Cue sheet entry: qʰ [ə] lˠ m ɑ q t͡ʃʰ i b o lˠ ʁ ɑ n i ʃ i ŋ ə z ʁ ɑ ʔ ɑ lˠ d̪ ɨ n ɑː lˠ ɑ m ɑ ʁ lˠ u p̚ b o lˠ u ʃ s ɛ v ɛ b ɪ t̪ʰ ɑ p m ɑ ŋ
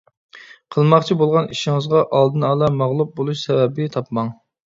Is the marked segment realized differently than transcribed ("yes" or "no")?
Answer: no